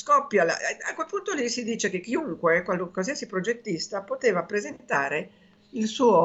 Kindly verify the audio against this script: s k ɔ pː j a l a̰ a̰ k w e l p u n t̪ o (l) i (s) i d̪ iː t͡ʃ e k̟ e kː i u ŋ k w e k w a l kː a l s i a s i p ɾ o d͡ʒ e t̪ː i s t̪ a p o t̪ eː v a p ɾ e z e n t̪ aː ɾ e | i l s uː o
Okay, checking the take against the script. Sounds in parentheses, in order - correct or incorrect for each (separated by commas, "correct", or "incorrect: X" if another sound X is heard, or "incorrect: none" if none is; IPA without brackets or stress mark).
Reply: correct, correct